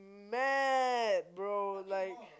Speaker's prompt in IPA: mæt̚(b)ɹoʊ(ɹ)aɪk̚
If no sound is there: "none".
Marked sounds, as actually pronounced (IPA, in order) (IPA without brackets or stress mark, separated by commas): b, l